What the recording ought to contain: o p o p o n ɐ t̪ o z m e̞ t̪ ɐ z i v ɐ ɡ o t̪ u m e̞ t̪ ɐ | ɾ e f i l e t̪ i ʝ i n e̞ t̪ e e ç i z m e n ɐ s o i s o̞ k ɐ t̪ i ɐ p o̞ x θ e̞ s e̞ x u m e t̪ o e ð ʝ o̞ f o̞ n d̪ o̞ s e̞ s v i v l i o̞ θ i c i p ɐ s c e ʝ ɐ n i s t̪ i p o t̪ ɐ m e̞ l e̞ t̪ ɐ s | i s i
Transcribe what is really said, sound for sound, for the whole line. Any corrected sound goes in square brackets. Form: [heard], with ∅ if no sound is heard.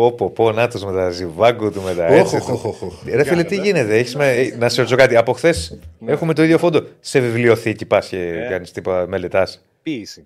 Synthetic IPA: o p o p o n ɐ t̪ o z m e̞ t̪ ɐ z i v ɐ ɡ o t̪ u m e̞ t̪ ɐ | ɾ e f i l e t̪ i ʝ i n e̞ t̪ e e ç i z m e n ɐ s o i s o̞ k ɐ t̪ i ɐ p o̞ x θ e̞ s e̞ x u m e t̪ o [i] ð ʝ o̞ f o̞ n d̪ o̞ s e̞ [∅] v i v l i o̞ θ i c i p ɐ s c e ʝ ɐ n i s t̪ i p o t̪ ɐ m e̞ l e̞ t̪ ɐ s | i s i